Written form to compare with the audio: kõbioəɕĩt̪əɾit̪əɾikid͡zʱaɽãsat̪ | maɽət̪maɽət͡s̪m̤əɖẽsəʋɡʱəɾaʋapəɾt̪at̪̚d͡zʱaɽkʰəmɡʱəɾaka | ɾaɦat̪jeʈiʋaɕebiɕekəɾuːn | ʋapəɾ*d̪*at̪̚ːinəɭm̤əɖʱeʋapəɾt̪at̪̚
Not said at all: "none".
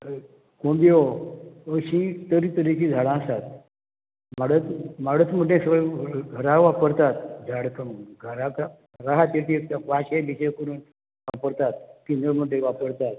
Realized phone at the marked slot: t̪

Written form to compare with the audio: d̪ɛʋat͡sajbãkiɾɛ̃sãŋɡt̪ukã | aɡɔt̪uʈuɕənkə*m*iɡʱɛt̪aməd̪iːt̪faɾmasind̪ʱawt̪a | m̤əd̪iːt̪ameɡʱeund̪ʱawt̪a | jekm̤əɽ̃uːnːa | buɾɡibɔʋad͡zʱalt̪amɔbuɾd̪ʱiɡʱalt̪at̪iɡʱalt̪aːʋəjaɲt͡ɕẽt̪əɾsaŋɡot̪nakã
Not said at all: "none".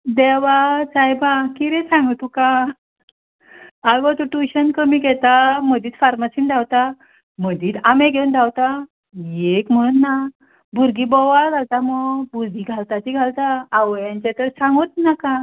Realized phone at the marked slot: m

